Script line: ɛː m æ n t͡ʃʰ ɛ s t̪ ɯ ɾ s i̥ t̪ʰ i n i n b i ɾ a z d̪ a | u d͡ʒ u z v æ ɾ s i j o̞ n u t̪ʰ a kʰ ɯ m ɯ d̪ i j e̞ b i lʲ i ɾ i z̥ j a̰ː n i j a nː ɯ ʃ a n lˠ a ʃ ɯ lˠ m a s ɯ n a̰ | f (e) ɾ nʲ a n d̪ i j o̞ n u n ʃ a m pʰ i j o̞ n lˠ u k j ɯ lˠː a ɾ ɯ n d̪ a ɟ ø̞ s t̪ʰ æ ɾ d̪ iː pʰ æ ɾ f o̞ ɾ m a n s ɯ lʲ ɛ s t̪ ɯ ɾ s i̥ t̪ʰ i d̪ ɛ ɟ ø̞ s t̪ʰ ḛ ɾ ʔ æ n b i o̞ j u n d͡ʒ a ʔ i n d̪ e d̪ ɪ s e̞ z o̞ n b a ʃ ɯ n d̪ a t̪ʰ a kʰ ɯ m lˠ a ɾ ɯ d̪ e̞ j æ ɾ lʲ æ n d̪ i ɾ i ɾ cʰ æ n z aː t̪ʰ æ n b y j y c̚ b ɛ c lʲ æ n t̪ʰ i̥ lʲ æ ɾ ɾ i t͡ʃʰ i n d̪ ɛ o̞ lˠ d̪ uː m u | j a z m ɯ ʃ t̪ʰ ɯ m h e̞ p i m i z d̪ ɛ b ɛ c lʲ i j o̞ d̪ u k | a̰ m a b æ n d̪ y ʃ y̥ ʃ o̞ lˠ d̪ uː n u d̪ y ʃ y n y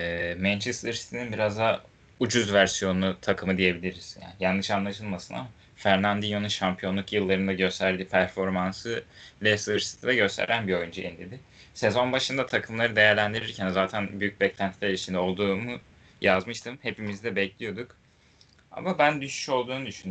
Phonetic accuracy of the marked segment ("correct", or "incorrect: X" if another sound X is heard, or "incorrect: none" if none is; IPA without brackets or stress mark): incorrect: æ